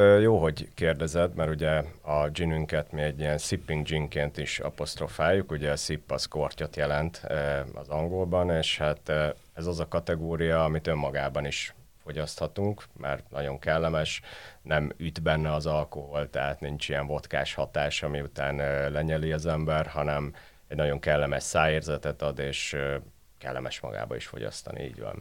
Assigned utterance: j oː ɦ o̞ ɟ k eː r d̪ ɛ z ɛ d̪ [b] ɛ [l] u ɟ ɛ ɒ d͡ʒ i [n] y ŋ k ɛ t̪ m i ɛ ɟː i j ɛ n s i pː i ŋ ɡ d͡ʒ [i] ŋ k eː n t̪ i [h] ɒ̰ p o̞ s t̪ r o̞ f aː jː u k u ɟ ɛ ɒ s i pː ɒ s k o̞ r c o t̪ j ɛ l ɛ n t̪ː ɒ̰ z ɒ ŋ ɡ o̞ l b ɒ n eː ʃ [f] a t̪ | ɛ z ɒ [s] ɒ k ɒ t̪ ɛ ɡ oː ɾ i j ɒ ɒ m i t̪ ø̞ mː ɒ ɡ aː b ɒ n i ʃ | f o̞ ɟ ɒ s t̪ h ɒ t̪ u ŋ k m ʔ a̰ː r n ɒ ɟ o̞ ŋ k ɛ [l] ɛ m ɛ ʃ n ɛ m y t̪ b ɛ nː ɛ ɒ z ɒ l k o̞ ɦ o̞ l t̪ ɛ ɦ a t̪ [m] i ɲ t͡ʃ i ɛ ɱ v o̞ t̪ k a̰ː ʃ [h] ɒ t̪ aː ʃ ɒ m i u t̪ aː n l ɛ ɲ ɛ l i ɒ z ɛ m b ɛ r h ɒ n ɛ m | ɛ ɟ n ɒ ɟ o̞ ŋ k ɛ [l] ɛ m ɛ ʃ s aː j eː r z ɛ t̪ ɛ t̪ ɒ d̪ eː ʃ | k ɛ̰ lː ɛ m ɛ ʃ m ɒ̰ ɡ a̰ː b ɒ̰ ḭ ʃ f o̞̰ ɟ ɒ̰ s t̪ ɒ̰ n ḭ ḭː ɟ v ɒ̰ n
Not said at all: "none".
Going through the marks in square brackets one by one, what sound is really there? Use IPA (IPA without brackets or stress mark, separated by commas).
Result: m, ɾ, n, i, ʃ, h, z, lː, n, h, lː